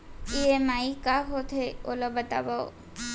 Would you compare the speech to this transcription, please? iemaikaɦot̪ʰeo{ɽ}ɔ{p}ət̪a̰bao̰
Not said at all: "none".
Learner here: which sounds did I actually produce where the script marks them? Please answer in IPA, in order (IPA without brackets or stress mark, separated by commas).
l, b